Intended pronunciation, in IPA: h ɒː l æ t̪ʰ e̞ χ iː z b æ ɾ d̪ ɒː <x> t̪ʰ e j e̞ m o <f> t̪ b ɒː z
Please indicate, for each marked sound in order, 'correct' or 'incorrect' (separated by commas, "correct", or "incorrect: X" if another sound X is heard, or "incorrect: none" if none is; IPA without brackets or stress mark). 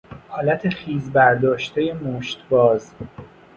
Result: incorrect: ʃ, incorrect: ʃ